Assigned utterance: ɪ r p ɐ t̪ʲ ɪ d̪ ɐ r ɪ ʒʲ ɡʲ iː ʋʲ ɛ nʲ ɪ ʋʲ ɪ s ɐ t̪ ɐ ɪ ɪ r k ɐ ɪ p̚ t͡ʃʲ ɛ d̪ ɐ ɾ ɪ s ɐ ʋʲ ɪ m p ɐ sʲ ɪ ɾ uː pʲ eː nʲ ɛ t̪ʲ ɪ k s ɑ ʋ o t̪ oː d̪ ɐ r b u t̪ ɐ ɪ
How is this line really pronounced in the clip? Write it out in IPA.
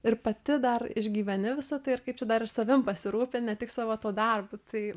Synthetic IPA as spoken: ɪ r p ɐ t̪ʲ ɪ d̪ ɐ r ɪ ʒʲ ɡʲ iː ʋʲ ɛ nʲ ɪ ʋʲ ɪ s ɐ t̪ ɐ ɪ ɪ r k ɐ ɪ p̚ t͡ʃʲ ɛ d̪ ɐ ɾ ɪ s ɐ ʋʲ ɪ m p ɐ sʲ ɪ ɾ uː pʲ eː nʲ ɛ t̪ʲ ɪ k s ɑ ʋ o t̪ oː d̪ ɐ r b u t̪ ɐ ɪ

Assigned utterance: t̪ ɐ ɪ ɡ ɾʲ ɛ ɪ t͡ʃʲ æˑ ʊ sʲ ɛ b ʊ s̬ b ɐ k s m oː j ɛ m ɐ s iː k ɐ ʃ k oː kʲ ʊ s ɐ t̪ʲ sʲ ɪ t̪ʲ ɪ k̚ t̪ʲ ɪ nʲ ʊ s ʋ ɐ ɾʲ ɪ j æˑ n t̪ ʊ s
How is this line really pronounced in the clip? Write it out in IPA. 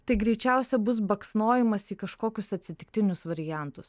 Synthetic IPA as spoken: t̪ ɐ ɪ ɡ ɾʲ ɛ ɪ t͡ʃʲ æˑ ʊ sʲ ɛ b ʊ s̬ b ɐ k s n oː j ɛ m ɐ s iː k ɐ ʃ k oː kʲ ʊ s ɐ t̪ʲ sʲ ɪ t̪ʲ ɪ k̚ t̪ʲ ɪ nʲ ʊ s ʋ ɐ ɾʲ ɪ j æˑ n t̪ ʊ s

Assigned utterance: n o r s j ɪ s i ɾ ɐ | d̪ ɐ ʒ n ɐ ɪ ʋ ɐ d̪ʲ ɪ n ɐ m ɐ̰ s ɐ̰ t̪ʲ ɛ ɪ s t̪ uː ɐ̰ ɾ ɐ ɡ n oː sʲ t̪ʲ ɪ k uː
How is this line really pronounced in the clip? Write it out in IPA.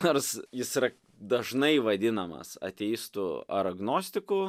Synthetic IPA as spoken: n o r s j ɪ s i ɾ ɐ | d̪ ɐ ʒ n ɐ ɪ ʋ ɐ d̪ʲ ɪ n ɐ m ɐ̰ s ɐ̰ t̪ʲ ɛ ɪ s t̪ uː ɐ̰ ɾ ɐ ɡ n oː sʲ t̪ʲ ɪ k uː

